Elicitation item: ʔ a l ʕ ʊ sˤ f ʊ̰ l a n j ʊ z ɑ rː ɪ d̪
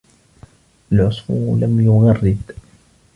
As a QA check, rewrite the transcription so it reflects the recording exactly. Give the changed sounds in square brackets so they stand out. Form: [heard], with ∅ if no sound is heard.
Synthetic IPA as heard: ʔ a l ʕ ʊ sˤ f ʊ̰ l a [m] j ʊ [ɣ] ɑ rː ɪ d̪